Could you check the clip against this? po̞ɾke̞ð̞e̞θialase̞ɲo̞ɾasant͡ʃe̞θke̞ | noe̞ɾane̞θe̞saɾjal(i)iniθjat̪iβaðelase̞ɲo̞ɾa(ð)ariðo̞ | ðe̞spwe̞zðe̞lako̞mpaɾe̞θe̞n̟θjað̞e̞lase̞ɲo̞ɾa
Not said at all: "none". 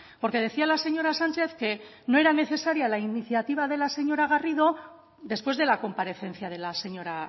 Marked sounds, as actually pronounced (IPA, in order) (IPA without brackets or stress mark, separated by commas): a, ɣ